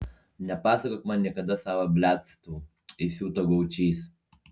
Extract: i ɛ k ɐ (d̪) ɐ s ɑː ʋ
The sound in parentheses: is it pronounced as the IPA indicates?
yes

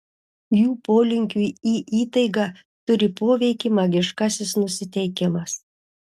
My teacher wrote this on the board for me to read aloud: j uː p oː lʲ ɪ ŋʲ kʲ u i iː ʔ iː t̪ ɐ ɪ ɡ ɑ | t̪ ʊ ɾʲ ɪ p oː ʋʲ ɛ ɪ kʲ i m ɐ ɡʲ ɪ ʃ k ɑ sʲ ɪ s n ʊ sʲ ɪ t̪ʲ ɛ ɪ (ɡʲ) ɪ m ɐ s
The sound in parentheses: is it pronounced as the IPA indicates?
no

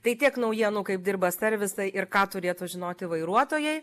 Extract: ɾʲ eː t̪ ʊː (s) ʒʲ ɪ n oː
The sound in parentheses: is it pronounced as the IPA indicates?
no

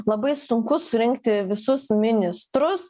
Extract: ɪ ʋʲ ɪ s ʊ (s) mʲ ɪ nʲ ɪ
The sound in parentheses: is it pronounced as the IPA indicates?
yes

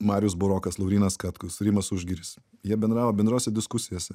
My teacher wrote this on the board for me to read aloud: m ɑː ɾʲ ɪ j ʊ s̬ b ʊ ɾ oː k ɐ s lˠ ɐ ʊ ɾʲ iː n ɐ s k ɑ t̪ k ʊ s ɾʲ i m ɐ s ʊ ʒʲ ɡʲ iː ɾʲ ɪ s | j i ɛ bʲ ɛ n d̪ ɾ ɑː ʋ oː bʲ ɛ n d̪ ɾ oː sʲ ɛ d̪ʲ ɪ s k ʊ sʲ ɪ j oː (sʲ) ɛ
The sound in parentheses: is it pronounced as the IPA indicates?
yes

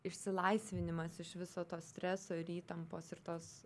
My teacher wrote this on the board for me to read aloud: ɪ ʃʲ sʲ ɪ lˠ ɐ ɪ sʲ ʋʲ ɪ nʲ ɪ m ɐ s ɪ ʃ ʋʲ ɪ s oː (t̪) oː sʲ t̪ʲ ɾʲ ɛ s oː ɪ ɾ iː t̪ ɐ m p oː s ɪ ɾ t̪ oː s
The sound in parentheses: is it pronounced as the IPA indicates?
yes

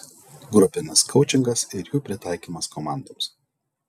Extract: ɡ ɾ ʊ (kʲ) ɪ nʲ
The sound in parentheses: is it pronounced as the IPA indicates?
no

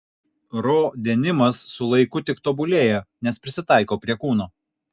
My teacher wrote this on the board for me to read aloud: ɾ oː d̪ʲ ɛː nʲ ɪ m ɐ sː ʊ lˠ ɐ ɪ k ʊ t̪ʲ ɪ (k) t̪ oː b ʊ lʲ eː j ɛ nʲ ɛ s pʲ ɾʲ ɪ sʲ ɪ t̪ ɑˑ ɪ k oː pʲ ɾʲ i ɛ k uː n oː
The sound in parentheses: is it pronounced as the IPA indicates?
yes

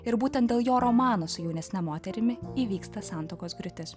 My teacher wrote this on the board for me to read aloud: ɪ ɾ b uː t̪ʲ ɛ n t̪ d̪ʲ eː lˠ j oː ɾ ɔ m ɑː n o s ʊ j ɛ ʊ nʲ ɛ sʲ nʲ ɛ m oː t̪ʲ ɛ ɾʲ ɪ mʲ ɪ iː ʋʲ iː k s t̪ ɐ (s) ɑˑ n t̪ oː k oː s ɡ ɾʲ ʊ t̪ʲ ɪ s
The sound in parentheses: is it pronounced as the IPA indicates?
yes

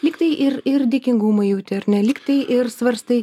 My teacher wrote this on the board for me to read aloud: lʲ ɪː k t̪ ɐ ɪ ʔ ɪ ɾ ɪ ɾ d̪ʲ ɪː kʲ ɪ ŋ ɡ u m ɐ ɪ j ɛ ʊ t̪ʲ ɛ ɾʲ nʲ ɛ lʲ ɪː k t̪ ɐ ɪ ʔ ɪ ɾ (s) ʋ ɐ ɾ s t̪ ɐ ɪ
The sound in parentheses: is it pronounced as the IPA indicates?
yes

